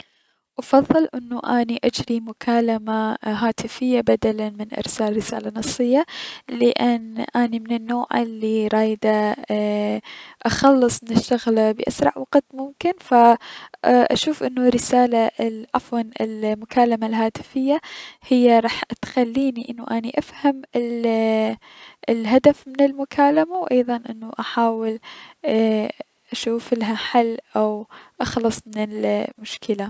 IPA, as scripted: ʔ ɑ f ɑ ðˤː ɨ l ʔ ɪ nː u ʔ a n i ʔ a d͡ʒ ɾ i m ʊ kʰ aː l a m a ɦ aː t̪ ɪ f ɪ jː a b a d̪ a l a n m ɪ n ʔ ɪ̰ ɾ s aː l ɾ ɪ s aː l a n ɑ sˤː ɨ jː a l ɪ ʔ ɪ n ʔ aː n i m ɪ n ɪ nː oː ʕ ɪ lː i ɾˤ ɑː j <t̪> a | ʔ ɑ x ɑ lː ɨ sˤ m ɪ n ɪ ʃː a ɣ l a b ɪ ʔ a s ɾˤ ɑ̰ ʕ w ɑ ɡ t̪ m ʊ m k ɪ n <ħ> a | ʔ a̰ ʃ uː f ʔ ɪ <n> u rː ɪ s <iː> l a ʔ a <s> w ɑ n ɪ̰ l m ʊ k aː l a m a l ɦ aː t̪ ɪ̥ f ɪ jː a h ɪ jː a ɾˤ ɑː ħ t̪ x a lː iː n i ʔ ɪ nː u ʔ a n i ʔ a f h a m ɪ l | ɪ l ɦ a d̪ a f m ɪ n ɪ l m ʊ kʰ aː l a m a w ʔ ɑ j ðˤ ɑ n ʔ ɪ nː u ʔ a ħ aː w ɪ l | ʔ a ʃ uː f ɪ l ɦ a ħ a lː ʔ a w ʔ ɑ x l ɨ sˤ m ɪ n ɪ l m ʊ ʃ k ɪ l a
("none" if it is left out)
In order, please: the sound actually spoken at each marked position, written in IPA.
d̪, f, nː, aː, f

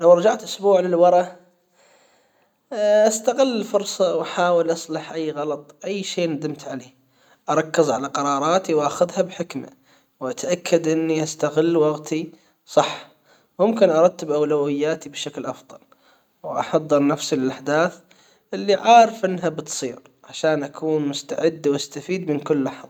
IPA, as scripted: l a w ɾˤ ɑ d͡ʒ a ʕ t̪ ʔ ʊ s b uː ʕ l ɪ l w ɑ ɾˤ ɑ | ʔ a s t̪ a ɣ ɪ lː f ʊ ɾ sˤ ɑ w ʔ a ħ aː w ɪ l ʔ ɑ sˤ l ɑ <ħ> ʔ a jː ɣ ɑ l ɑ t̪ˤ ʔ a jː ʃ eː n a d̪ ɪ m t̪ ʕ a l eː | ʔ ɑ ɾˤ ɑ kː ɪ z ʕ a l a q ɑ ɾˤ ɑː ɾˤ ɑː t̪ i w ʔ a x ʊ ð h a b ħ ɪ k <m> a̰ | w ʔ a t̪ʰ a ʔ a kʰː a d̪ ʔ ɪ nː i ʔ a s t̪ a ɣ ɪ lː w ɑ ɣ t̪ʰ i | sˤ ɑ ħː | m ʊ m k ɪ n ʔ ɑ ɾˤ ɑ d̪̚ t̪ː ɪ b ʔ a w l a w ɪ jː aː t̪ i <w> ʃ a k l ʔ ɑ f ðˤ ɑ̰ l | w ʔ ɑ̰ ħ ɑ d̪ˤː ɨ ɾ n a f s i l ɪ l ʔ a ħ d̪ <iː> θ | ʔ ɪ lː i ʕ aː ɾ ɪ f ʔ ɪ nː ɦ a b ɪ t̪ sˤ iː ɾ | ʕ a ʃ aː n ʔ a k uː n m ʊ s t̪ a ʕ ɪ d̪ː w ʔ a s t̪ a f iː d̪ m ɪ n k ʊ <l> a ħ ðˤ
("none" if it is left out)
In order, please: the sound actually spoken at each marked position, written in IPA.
ħ, m, b, aː, lː

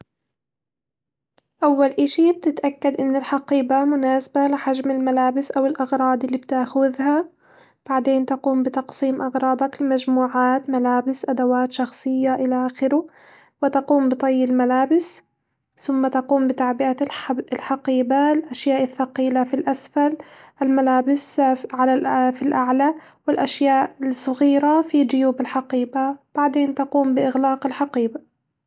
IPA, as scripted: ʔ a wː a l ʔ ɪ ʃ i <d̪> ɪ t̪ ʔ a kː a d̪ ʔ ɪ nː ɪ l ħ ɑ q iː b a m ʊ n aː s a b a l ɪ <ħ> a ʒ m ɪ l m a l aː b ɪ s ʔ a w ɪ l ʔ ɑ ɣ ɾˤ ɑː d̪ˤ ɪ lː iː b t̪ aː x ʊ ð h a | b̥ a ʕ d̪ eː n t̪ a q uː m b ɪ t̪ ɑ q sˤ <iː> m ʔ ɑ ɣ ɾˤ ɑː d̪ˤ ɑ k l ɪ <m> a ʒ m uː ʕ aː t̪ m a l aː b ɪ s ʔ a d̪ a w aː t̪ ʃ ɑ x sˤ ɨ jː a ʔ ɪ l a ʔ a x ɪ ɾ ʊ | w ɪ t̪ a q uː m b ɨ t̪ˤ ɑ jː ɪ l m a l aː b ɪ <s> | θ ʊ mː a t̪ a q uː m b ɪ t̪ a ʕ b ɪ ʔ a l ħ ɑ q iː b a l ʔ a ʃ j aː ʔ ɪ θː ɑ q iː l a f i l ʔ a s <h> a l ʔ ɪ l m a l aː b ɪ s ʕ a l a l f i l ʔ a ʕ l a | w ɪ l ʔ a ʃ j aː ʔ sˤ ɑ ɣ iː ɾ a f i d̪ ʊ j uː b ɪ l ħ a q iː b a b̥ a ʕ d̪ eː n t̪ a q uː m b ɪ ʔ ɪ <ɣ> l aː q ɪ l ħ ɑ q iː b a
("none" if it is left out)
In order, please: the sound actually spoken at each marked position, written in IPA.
t̪, ħ, iː, m, s, f, ɣ

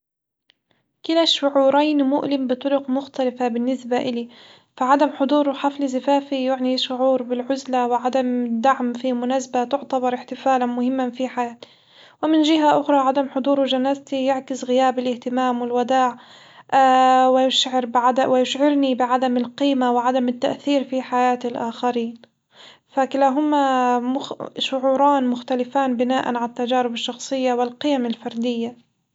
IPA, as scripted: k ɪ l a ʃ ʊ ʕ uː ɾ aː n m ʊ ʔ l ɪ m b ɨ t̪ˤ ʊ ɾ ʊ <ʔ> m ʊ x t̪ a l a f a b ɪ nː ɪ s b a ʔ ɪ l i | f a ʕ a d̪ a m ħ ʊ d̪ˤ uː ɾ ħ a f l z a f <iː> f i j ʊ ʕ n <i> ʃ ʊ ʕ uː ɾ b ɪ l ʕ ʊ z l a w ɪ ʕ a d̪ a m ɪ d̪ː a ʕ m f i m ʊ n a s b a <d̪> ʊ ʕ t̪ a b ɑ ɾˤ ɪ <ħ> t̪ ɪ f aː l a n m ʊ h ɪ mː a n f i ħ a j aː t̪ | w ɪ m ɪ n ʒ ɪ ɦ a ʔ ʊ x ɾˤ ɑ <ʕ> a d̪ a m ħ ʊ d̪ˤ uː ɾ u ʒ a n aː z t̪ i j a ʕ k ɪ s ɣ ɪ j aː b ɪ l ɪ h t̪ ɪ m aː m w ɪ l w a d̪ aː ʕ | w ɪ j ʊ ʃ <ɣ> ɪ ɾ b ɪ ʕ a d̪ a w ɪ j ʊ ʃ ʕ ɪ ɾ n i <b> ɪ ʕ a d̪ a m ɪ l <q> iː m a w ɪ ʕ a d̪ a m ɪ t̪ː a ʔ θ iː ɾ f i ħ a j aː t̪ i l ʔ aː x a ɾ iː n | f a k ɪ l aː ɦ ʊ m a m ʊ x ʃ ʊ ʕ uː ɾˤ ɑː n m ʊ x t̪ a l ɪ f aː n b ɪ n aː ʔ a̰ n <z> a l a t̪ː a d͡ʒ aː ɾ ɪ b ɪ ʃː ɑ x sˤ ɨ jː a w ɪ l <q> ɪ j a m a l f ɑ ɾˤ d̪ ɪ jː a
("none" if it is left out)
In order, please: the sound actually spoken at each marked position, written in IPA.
q, aː, i, t̪, ħ, ʕ, ʕ, b, q, ʕ, q

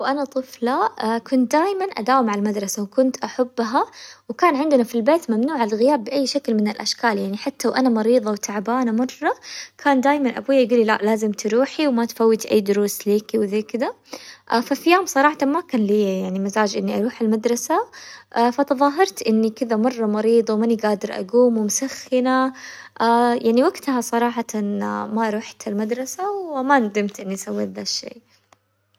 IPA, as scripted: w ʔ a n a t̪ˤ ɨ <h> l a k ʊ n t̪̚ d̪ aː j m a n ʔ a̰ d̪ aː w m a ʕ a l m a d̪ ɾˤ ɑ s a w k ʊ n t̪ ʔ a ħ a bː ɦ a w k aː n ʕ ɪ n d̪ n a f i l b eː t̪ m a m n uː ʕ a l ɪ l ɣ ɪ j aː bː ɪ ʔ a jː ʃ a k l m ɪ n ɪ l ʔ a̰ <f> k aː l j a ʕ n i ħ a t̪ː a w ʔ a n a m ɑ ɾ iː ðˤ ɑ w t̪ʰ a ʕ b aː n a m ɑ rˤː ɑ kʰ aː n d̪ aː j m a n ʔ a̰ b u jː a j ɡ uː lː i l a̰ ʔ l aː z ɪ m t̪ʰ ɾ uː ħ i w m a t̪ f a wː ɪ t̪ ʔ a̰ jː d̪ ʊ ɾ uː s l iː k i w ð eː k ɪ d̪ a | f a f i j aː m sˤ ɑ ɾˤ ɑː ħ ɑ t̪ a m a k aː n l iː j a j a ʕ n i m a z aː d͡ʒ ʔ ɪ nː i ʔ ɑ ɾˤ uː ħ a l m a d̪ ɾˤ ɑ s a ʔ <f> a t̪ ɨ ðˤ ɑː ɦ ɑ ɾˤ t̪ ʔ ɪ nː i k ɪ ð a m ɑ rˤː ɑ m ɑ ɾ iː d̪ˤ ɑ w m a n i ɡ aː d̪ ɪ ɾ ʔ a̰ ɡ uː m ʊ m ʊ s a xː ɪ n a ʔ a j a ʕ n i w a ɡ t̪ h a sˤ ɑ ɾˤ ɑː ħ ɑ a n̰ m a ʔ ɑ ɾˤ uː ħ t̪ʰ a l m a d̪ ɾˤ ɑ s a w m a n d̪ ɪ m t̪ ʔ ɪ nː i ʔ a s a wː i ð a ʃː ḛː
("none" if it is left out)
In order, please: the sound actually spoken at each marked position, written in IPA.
f, ʃ, f

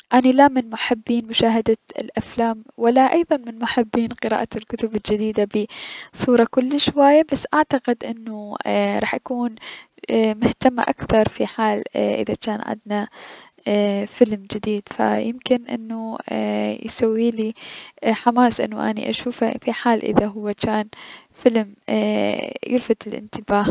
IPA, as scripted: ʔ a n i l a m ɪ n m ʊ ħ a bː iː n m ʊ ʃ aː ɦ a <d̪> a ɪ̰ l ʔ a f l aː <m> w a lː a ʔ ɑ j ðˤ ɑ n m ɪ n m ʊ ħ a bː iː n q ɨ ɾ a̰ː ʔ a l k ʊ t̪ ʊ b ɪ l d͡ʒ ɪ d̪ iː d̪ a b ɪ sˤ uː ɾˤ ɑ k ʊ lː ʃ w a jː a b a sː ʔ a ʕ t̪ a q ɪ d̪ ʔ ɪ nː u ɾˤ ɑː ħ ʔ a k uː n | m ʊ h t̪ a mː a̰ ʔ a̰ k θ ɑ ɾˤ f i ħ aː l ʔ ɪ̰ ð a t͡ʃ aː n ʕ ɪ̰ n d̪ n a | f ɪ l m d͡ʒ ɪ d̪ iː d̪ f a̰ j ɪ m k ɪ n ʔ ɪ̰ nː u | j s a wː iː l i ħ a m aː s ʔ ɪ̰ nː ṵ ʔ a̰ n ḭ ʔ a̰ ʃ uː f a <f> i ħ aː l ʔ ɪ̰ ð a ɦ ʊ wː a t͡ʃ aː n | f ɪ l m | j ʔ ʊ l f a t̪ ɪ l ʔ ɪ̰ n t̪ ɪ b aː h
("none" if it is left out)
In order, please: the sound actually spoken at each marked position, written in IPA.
d̪, m, f

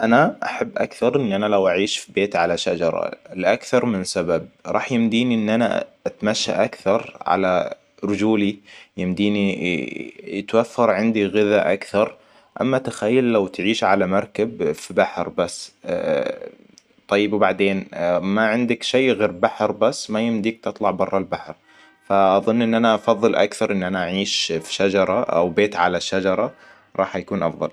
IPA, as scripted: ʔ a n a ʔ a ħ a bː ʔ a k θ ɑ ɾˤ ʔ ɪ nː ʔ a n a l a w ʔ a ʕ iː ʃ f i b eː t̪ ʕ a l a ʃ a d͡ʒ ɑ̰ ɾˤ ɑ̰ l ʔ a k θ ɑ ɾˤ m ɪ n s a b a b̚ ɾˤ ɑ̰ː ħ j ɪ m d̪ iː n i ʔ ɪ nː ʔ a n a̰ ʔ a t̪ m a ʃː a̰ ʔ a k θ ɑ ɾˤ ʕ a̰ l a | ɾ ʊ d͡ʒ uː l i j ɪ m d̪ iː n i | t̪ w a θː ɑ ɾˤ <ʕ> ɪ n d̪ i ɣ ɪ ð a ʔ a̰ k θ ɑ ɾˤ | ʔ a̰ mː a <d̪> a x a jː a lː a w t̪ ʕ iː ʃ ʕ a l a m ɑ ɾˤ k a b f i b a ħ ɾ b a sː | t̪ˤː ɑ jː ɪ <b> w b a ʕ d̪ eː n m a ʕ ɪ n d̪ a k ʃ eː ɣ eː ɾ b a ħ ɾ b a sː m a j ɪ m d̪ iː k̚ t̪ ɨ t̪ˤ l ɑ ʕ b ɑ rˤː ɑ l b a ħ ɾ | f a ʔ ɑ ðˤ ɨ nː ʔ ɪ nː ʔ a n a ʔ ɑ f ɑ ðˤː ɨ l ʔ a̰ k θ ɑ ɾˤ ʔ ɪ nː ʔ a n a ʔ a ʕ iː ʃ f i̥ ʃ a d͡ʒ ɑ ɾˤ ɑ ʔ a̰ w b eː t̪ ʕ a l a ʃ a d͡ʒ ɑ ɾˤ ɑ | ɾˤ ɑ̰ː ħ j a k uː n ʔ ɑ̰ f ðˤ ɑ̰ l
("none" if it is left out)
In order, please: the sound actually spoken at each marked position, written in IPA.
ʕ, t̪, b

